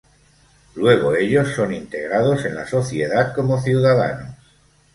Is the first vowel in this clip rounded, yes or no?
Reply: no